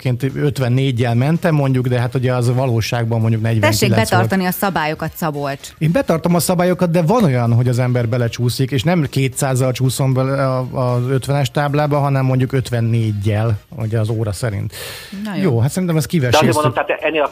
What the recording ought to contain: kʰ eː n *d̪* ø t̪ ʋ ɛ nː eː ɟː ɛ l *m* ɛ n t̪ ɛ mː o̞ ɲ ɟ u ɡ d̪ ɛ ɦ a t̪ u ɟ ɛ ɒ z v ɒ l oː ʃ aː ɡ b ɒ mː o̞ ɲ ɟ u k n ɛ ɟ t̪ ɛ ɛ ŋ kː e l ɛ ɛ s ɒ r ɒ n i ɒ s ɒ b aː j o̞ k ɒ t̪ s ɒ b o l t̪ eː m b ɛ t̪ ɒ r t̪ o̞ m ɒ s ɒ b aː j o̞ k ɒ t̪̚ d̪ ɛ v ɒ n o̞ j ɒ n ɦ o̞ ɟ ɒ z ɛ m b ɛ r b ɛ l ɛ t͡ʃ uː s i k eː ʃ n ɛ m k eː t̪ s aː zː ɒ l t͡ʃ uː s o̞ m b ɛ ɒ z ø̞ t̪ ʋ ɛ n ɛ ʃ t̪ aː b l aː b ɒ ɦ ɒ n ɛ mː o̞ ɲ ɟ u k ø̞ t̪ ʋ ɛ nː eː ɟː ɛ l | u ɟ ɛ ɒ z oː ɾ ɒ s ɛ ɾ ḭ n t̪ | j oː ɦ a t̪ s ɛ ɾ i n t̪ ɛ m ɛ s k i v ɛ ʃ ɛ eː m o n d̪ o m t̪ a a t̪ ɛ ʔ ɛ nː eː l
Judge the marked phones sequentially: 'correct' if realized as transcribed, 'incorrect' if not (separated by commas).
incorrect, correct